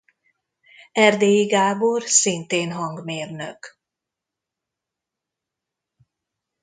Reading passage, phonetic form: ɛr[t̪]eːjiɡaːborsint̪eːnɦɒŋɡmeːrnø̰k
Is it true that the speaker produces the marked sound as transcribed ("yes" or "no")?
no